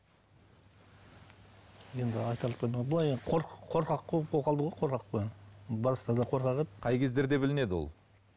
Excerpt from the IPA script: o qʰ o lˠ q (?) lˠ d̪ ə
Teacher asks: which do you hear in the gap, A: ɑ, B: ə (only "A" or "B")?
A